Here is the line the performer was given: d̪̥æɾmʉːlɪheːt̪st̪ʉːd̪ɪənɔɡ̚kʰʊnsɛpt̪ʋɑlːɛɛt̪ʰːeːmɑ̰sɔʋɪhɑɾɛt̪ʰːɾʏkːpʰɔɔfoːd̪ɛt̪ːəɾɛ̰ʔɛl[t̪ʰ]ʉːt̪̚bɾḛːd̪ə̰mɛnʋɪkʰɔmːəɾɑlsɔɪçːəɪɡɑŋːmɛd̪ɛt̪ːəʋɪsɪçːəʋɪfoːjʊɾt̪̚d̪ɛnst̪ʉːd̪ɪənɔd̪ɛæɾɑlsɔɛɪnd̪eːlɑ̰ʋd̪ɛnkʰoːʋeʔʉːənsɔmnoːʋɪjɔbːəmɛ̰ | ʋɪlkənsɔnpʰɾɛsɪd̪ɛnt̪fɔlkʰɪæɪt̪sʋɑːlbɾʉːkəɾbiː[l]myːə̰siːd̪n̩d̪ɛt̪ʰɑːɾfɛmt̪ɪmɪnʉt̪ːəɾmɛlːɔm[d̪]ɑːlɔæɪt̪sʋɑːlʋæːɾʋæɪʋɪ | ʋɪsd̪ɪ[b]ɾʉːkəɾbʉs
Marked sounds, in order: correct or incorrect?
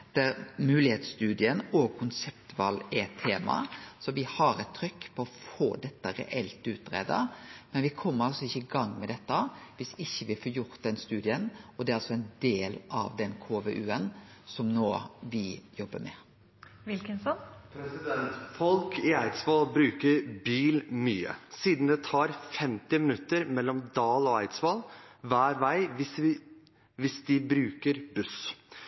incorrect: t̪, correct, correct, correct

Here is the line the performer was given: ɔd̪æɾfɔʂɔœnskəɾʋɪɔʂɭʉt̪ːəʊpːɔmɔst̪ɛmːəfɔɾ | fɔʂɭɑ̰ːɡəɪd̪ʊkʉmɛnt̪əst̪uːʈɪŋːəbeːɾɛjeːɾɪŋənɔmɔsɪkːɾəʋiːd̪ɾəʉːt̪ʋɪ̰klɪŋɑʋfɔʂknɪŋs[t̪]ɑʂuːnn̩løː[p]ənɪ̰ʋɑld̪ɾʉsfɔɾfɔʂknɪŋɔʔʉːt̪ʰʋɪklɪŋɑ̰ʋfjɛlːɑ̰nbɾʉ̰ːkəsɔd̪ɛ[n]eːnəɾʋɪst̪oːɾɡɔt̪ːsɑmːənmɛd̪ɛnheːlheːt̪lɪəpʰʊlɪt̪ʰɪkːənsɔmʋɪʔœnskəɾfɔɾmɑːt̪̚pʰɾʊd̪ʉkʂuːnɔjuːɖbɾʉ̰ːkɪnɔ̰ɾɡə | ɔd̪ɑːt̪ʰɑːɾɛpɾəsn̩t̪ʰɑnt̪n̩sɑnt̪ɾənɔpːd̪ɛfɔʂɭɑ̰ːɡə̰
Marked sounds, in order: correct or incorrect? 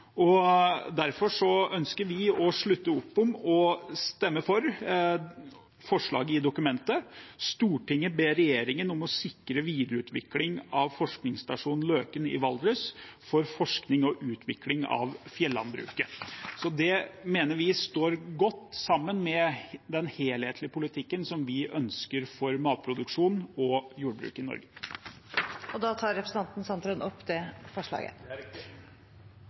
correct, incorrect: k, incorrect: m

